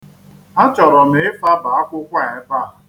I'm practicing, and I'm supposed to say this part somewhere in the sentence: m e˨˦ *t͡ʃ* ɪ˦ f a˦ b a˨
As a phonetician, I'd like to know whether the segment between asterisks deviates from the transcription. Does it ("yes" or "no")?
yes